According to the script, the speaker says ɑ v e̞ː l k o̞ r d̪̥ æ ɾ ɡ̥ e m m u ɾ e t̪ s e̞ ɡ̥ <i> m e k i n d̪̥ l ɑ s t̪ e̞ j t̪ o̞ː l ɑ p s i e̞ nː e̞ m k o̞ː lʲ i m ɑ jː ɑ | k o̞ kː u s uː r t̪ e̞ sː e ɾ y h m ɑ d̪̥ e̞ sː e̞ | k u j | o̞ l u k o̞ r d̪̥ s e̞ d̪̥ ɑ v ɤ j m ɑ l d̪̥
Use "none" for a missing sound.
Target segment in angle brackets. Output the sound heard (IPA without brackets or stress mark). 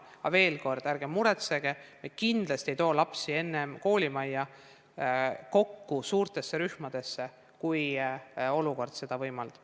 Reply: e